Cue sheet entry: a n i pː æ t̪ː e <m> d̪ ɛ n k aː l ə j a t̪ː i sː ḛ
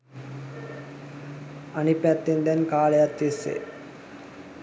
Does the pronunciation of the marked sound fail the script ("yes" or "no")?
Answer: yes